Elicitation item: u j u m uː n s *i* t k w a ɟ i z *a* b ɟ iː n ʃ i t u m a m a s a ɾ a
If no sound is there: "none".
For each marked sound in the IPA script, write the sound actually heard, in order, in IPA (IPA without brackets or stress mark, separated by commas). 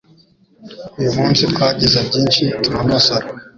i, a